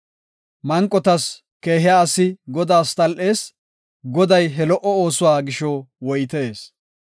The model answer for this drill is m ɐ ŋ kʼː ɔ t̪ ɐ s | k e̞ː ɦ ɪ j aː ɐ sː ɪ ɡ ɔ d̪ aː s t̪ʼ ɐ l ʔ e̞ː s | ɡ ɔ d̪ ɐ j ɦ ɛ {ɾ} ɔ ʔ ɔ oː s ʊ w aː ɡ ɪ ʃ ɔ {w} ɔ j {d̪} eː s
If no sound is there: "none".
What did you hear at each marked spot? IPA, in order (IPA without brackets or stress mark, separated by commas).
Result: l, w, t̪